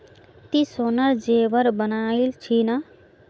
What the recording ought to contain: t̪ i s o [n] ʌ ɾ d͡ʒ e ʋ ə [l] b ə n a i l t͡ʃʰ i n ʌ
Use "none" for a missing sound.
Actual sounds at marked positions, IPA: n, ɾ

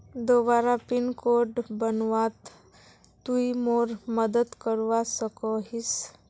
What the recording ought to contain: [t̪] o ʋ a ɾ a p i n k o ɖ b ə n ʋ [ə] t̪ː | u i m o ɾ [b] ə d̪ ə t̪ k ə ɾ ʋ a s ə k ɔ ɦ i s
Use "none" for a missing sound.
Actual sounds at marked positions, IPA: d̪, a, m

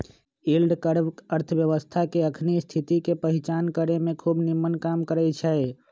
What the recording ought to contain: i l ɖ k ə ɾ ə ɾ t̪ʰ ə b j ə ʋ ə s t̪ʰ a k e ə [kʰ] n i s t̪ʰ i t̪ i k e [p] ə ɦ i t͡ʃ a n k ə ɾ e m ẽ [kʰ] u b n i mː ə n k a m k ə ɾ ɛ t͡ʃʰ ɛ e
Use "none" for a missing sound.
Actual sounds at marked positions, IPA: kʰ, p, kʰ

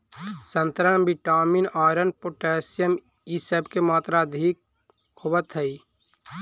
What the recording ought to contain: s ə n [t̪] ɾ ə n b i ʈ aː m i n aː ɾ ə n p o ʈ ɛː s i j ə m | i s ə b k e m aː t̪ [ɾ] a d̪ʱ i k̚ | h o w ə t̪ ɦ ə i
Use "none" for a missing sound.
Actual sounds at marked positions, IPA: t̪, ɾ

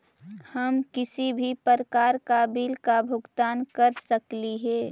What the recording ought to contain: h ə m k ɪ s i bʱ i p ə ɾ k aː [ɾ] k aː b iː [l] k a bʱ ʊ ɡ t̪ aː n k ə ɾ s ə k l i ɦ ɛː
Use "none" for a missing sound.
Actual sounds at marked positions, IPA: ɾ, l

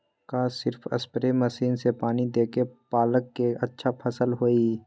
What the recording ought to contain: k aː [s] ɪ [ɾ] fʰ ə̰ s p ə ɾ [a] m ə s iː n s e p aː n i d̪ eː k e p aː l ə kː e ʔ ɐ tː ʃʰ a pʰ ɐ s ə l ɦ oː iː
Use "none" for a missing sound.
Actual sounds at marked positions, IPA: s, ɾ, e

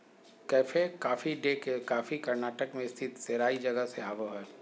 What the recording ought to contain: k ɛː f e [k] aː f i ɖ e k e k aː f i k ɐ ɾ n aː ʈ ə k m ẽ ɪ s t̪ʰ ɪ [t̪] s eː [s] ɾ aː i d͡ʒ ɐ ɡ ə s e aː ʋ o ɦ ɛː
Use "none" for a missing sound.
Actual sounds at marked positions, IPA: k, t̪, none

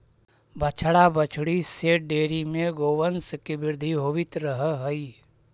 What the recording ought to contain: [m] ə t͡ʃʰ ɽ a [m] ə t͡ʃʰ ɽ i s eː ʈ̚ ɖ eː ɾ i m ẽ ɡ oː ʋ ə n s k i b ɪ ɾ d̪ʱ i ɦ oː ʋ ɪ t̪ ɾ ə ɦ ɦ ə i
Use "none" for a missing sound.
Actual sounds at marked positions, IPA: b, b

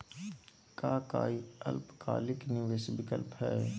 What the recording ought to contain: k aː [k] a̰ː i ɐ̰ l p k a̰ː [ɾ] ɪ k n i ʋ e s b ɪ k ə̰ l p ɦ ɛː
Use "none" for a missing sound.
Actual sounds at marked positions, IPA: k, l

